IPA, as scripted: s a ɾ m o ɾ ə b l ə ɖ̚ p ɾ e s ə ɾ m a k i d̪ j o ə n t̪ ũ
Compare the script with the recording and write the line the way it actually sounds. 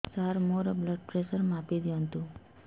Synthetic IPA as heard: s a ɾ m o ɾ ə b l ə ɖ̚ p ɾ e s ə ɾ m a p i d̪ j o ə n t̪ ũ